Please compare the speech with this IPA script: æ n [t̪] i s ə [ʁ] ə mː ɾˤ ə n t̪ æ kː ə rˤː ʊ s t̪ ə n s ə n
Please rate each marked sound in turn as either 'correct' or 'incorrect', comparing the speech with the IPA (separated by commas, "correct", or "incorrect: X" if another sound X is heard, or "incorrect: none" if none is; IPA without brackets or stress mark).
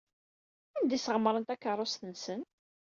incorrect: d̪, correct